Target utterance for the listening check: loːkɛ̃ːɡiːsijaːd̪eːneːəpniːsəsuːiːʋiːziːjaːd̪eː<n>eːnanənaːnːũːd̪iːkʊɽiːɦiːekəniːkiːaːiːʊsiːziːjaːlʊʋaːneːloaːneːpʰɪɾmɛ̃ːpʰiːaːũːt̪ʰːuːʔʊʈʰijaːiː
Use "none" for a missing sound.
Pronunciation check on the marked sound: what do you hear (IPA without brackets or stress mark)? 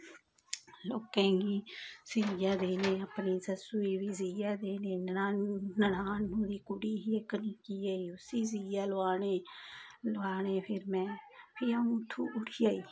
n